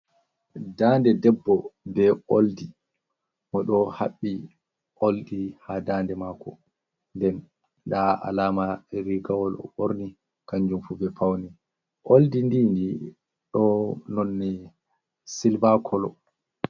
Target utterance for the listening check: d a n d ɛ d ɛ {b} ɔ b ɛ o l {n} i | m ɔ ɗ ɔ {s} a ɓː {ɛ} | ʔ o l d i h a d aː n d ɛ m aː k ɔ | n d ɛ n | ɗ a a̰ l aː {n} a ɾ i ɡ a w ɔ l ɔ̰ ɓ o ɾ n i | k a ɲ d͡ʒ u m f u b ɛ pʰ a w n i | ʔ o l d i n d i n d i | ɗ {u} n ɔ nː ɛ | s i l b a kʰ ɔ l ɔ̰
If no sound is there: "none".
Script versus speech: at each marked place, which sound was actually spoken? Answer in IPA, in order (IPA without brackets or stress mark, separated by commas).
bː, d, h, i, m, ɔ